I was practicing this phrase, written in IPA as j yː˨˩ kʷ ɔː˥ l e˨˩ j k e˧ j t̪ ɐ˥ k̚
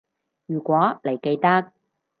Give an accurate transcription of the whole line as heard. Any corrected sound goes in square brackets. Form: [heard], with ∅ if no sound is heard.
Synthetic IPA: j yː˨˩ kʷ [ɔː˨˥] l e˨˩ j k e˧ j t̪ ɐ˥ k̚